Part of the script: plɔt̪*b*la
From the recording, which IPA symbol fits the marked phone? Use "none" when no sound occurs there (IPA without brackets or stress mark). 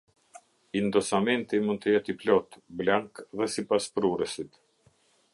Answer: b